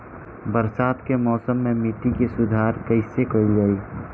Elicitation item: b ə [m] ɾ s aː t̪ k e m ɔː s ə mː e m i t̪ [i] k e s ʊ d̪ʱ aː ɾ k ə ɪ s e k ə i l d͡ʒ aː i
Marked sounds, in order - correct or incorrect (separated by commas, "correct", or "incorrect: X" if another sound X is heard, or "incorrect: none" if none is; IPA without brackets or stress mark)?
incorrect: none, correct